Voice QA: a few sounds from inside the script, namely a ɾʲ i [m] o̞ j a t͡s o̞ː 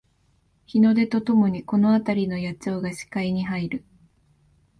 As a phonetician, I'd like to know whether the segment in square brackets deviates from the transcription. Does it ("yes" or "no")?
yes